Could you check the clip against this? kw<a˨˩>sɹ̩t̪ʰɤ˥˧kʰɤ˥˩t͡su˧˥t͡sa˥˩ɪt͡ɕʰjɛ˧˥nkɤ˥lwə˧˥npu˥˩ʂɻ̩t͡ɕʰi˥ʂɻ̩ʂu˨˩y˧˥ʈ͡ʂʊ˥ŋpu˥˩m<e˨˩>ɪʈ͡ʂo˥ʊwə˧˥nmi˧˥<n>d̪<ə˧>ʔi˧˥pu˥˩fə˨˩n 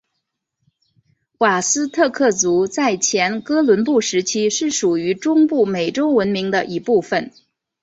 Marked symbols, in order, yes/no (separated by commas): yes, yes, no, yes